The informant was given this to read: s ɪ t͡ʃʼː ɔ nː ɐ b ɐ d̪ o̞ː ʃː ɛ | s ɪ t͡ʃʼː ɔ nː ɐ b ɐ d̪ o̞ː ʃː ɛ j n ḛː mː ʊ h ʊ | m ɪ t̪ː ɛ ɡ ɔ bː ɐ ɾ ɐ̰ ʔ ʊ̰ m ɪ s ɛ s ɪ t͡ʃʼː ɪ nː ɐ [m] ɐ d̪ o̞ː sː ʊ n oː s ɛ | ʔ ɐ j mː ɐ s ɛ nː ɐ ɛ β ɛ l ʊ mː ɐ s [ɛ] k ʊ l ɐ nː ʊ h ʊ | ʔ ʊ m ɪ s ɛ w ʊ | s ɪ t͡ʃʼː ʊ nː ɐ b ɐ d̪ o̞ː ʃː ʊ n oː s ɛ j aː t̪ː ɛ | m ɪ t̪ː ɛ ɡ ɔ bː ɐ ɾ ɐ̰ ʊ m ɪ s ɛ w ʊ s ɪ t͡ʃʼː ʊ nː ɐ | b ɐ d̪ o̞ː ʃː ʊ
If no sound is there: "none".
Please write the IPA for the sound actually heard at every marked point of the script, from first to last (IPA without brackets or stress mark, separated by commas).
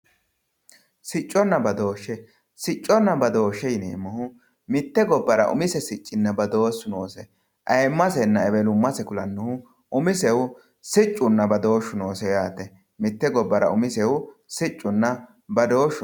b, ɛ